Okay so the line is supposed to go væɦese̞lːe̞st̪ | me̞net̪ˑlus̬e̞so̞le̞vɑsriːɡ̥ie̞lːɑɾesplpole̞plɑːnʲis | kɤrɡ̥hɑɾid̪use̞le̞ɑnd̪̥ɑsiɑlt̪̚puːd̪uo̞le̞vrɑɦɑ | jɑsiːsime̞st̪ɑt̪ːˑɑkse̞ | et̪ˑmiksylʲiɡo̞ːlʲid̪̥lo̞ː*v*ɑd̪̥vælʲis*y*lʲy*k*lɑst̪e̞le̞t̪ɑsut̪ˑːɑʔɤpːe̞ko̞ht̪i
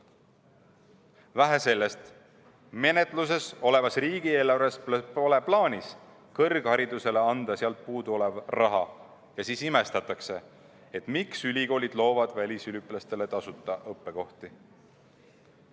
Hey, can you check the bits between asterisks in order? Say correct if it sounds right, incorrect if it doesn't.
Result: correct, correct, incorrect

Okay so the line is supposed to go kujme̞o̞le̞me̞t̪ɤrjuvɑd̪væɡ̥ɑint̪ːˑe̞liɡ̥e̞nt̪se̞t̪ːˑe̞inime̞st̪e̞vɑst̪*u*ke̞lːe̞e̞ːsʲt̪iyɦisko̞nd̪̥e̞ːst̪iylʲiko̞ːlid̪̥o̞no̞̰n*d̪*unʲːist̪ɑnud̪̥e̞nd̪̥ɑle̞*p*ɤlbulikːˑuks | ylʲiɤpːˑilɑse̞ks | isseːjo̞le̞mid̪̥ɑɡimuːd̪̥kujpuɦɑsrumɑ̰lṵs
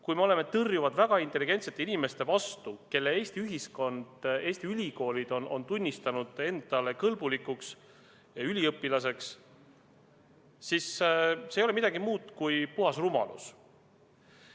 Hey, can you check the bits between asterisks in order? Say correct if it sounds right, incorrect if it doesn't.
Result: correct, incorrect, incorrect

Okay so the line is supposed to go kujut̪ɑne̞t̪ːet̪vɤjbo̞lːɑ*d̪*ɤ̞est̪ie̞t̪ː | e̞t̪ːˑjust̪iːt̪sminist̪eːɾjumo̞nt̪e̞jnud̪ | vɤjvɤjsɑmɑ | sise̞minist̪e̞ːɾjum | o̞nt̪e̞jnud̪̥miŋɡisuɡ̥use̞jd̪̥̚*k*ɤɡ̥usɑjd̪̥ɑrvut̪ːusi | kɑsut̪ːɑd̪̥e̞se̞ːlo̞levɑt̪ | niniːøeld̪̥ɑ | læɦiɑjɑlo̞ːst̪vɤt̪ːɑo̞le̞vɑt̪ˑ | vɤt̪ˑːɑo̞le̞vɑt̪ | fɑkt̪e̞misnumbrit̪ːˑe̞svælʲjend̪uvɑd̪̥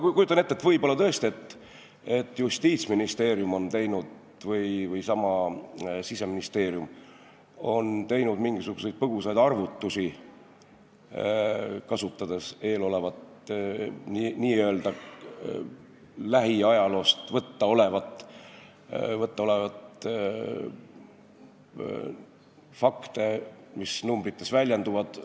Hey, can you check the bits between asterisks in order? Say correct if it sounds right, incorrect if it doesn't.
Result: incorrect, incorrect

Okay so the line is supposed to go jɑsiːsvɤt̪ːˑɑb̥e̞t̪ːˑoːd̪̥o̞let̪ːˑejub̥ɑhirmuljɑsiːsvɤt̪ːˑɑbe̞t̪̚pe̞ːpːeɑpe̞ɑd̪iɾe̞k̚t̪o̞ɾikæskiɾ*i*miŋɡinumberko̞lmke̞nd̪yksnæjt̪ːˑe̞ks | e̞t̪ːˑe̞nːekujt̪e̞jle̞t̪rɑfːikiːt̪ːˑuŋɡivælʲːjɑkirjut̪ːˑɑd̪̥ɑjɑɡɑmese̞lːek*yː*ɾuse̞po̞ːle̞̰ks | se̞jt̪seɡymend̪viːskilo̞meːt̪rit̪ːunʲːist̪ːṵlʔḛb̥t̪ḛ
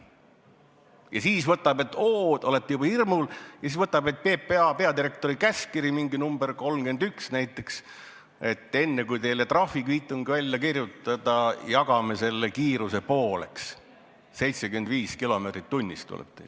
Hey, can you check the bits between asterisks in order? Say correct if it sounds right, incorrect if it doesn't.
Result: correct, incorrect

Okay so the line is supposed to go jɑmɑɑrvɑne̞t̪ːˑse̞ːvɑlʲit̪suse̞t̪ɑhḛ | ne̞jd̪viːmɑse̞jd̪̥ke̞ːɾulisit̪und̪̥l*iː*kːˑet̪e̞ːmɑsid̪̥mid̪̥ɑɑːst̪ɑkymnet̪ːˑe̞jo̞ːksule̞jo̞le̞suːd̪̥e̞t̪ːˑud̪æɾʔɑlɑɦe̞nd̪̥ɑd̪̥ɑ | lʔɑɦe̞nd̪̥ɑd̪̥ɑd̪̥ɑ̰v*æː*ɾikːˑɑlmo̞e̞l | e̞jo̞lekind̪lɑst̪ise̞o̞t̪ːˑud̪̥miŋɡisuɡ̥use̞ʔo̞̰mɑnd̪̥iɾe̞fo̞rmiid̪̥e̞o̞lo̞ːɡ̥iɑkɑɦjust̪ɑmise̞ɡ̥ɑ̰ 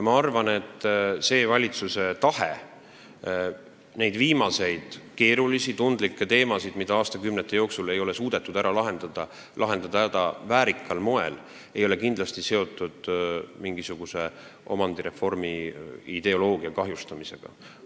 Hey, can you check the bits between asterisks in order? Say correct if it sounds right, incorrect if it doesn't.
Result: incorrect, correct

